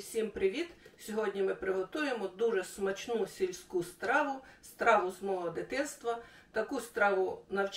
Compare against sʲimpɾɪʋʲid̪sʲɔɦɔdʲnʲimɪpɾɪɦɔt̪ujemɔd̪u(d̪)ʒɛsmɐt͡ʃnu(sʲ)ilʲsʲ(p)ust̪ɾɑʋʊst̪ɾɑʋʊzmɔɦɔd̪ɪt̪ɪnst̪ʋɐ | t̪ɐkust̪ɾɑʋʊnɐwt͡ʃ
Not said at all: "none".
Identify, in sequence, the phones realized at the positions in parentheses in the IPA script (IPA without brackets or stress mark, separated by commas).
none, sʲ, k